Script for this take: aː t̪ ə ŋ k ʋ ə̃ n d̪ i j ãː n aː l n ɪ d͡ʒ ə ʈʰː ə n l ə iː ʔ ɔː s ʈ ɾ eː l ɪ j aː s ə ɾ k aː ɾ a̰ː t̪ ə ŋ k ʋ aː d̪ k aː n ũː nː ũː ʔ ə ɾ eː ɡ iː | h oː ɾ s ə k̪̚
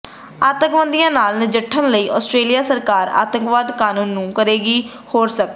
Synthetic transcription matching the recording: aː t̪ ə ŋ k ʋ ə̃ n d̪ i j ãː n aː l n ɪ d͡ʒ ə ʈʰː ə n l ə iː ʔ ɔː s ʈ ɾ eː l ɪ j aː s ə ɾ k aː ɾ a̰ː t̪ ə ŋ k ʋ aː d̪ k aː n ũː nː ũː k ə ɾ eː ɡ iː | h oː ɾ s ə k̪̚

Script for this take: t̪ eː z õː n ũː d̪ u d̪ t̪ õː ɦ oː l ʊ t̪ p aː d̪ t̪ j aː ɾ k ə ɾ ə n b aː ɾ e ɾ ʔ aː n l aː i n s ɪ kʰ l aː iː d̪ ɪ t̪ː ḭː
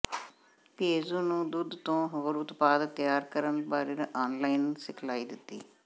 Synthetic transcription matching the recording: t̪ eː z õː n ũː d̪ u d̪ t̪ õː ɦ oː ɾ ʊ t̪ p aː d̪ t̪ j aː ɾ k ə ɾ ə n b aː ɾ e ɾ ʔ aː n l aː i n s ɪ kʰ l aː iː d̪ ɪ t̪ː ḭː

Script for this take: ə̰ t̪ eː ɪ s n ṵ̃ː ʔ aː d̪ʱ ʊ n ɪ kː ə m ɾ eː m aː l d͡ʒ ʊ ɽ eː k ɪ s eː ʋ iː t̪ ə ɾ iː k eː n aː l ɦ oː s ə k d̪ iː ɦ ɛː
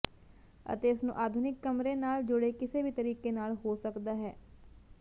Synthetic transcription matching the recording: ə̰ t̪ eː ɪ s n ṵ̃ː ʔ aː d̪ʱ ʊ n ɪ kː ə m ɾ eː n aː l d͡ʒ ʊ ɽ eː k ɪ s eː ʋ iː t̪ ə ɾ iː k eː n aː l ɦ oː s ə k d̪ aː ɦ ɛː

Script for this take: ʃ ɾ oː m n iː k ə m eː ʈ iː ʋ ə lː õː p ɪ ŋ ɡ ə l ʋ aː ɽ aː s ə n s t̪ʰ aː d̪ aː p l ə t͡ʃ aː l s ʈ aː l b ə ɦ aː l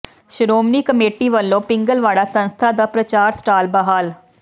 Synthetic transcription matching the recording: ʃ ɾ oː m n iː k ə m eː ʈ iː ʋ ə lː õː p ɪ ŋ ɡ ə l ʋ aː ɽ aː s ə n s t̪ʰ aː d̪ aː p ɾ ə t͡ʃ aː ɾ s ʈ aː l b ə ɦ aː l

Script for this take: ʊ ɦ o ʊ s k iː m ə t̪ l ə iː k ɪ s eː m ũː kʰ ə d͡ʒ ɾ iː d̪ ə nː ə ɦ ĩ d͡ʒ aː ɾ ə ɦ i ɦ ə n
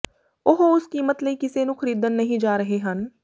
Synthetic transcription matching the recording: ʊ ɦ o ʊ s k iː m ə t̪ l ə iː k ɪ s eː n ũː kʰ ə ɾ iː d̪ ə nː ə ɦ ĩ d͡ʒ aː ɾ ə ɦ e ɦ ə n

